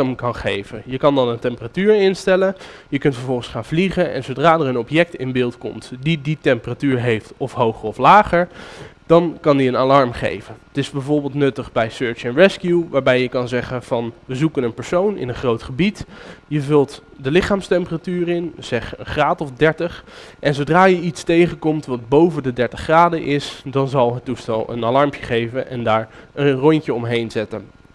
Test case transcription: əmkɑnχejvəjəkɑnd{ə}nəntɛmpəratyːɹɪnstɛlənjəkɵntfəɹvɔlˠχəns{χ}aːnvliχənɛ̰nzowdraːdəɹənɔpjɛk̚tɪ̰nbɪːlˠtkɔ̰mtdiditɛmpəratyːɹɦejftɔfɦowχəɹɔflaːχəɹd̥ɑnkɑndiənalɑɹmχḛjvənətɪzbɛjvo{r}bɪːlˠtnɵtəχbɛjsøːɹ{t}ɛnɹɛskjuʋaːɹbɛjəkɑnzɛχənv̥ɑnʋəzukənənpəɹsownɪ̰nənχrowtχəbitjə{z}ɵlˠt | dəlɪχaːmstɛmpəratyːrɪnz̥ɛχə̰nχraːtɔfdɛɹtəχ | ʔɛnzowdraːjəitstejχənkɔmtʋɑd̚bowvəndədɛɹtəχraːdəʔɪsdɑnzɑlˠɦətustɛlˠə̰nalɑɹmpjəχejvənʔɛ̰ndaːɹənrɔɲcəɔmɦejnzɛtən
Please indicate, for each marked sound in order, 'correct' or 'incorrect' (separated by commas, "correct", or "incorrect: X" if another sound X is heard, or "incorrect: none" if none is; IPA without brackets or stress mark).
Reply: incorrect: ɑ, correct, incorrect: ɹ, incorrect: t͡ʃ, incorrect: v